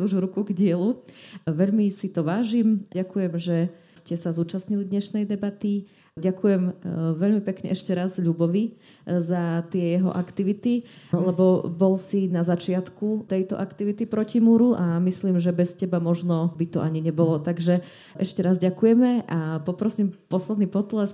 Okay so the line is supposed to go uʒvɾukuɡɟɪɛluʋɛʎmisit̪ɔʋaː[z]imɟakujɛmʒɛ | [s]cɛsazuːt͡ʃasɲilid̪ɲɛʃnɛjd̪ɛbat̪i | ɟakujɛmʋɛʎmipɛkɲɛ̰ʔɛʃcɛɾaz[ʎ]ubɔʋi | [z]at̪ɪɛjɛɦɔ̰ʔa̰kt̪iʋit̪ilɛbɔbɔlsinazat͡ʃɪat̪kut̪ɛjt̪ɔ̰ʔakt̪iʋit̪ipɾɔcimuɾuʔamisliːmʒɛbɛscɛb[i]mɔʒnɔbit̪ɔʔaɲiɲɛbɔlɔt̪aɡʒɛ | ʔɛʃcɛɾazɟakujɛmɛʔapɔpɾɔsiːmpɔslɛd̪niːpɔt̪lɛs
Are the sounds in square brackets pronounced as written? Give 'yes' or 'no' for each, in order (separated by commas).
no, yes, yes, yes, no